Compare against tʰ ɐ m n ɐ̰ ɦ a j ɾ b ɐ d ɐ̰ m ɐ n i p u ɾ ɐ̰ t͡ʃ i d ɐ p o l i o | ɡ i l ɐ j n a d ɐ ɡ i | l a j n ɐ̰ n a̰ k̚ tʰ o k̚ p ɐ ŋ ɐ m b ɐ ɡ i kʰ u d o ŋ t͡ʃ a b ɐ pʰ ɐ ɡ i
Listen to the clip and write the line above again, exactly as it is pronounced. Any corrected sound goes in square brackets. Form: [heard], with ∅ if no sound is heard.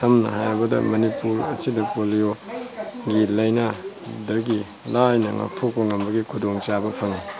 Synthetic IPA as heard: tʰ ɐ m n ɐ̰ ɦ a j ɾ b ɐ d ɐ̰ m ɐ n i p u ɾ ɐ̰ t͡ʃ i d ɐ p o l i o | ɡ i l ɐ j n a d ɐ ɡ i | l a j n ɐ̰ [ŋ] a̰ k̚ tʰ o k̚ p ɐ ŋ ɐ m b ɐ ɡ i kʰ u d o ŋ t͡ʃ a b ɐ pʰ ɐ [ŋ] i